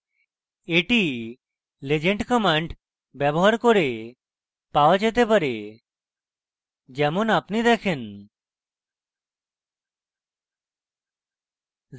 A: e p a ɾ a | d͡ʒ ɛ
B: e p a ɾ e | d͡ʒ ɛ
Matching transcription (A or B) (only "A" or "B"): B